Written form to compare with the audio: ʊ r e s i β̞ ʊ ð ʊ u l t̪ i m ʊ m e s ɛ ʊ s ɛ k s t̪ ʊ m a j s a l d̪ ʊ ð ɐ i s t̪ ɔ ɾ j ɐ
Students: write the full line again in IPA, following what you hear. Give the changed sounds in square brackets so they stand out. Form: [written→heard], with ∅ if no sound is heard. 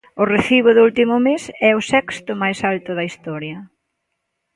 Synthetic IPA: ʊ r e [s→θ] i β̞ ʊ ð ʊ u l t̪ i m ʊ m e s ɛ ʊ s ɛ k s t̪ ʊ m a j s a l [d̪→t̪] ʊ ð ɐ i s t̪ ɔ ɾ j ɐ